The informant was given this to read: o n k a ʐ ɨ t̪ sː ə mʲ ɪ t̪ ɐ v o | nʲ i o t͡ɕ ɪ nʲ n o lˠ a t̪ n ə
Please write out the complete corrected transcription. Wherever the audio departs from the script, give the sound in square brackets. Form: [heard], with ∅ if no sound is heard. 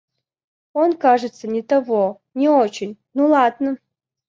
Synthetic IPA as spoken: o n k a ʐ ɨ t̪ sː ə [nʲ] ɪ t̪ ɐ v o | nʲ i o t͡ɕ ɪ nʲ n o lˠ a [d̪] n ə